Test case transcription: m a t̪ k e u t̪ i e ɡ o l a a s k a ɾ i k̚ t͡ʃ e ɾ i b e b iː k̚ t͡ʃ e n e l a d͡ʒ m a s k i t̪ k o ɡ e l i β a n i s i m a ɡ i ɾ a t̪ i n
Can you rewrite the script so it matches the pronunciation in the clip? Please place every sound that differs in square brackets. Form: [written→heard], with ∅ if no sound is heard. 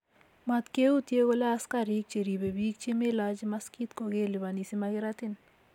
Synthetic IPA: m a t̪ k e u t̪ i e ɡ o l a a s k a ɾ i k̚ t͡ʃ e ɾ i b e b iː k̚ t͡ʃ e [n→m] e l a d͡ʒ m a s k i t̪ k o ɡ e l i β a n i s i m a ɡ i ɾ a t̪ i n